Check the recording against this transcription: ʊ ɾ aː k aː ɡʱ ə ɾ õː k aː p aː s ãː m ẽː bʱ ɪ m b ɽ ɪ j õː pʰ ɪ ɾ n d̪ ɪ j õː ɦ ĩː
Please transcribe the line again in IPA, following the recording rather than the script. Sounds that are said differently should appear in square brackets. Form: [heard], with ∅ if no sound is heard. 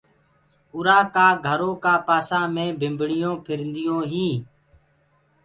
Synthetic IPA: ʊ ɾ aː k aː ɡʱ ə ɾ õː k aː p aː s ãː m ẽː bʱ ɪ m b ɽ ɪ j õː pʰ ɪ ɾ n d̪ ɪ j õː ɦ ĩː